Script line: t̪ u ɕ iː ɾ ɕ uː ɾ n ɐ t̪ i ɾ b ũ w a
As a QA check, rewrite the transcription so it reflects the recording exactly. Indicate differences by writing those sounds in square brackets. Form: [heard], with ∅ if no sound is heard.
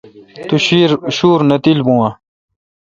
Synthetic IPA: t̪ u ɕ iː ɾ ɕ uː ɾ n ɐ t̪ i [l] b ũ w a